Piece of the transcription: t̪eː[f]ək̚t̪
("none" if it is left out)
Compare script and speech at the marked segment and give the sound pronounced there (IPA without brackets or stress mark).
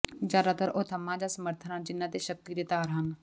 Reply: ʃ